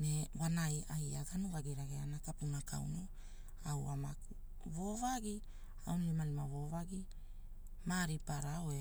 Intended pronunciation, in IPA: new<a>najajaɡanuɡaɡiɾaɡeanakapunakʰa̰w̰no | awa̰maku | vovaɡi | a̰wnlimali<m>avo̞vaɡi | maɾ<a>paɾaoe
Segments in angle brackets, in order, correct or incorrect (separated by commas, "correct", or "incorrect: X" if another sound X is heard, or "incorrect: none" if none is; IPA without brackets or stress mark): correct, correct, incorrect: i